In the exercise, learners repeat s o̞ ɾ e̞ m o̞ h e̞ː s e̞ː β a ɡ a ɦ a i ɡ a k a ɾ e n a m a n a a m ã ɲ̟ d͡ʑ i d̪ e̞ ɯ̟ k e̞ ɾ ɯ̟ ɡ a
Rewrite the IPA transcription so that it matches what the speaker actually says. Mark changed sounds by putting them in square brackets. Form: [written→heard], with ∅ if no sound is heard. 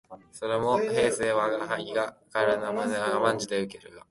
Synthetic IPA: s o̞ ɾ e̞ m o̞ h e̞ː s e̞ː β a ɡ a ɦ a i ɡ a k a ɾ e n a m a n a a m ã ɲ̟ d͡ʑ i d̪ e̞ ɯ̟ k e̞ ɾ ɯ̟ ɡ a